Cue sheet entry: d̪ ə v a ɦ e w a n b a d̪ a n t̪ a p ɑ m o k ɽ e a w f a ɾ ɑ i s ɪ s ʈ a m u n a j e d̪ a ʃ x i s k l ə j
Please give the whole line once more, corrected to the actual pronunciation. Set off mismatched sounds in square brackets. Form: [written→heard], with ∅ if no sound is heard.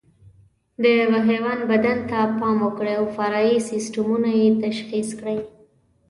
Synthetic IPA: d̪ ə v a ɦ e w a n b a d̪ a n t̪ a p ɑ m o k ɽ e a w f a ɾ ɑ i s ɪ s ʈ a m u n a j e [d̪→t̪] a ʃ x i s k [l→ɽ] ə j